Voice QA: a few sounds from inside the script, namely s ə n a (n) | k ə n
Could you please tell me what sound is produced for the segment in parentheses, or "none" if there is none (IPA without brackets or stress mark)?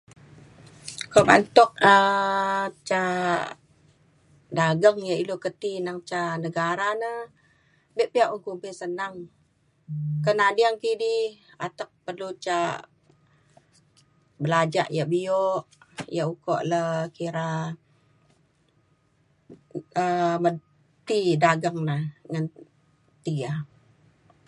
ŋ